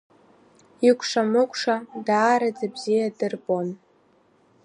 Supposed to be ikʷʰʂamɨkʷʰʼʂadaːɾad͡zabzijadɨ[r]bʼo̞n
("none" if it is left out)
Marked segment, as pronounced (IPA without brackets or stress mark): r